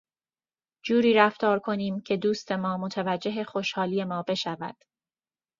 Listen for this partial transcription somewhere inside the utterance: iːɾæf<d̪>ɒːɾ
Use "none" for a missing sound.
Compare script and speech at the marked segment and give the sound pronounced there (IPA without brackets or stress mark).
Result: t̪